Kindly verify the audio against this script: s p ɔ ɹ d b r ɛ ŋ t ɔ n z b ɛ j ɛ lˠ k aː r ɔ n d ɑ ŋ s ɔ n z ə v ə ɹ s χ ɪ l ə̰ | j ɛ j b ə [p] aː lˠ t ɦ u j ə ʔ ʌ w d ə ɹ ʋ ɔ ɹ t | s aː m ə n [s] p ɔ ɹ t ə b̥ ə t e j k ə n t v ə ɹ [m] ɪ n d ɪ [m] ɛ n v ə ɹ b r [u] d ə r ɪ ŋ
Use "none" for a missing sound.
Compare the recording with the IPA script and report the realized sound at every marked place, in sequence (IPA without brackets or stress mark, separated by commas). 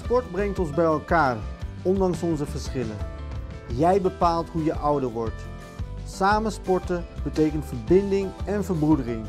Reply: p, s, b, ŋ, u